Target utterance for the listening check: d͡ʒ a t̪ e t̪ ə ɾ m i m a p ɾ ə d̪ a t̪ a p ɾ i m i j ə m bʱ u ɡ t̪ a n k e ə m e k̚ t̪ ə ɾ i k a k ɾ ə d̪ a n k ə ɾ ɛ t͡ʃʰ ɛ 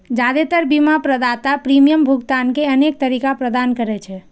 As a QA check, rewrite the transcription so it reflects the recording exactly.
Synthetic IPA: d͡ʒ a d̪ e t̪ ə ɾ b i m a p ɾ ə d̪ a t̪ a p ɾ i m i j ə m bʱ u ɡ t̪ a n k e ə n e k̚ t̪ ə ɾ i k a p ɾ ə d̪ a n k ə ɾ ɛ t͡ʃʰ ɛ